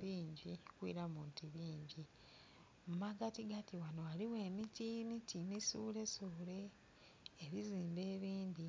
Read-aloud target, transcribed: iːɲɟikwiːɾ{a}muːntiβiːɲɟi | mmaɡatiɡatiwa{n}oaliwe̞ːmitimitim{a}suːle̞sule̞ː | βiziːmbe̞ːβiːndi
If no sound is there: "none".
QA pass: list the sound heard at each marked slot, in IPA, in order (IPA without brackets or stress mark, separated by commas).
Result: a, n, i